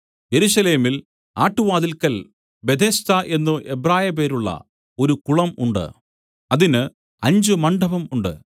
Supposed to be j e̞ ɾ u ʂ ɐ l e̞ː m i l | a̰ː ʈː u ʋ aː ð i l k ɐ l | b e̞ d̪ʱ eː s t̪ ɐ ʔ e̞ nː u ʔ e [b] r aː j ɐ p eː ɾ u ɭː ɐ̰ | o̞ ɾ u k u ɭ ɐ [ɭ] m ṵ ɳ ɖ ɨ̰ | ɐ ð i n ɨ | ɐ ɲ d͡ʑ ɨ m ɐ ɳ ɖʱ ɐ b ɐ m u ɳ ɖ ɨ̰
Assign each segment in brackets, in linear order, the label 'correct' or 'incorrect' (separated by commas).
correct, incorrect